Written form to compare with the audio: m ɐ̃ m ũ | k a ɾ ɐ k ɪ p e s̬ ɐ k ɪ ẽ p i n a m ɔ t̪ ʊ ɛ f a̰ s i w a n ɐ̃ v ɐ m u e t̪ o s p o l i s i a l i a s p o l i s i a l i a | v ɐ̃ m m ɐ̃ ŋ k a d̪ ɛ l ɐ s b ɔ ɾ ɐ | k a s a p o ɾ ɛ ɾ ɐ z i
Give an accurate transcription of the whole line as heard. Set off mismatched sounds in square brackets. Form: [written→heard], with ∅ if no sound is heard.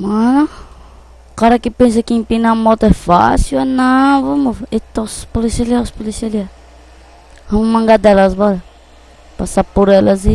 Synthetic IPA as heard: m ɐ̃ [m→n] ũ | k a ɾ ɐ k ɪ p [e→ẽ] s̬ ɐ k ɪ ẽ p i n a m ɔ t̪ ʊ ɛ f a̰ s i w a n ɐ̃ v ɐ m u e t̪ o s p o l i s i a l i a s p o l i s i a l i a | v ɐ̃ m m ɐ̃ ŋ [k→ɡ] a d̪ ɛ l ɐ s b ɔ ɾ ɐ | [k→p] a s a p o ɾ ɛ [ɾ→l] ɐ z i